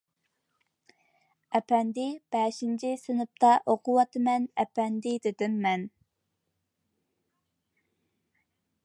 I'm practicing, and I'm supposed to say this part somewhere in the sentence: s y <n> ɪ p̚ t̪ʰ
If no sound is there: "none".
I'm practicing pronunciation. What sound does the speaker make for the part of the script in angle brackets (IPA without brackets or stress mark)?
n